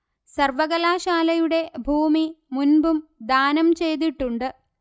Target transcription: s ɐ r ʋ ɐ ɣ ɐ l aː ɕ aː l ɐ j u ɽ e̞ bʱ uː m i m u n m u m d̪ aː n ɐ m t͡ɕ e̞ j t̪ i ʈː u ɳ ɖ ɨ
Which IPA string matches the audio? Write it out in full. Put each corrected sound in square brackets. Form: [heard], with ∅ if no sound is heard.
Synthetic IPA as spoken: s ɐ r ʋ ɐ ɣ ɐ l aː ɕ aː l ɐ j u ɽ e̞ bʱ uː m i m u n [b] u m d̪ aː n ɐ m t͡ɕ e̞ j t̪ i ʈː u ɳ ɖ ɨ